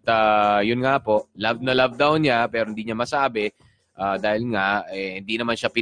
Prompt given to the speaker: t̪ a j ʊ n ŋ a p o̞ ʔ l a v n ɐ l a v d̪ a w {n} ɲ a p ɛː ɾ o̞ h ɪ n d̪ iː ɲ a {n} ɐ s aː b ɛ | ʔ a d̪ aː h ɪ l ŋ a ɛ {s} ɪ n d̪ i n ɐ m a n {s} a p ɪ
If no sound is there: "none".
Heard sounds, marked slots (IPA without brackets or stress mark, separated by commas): n, m, h, ʃ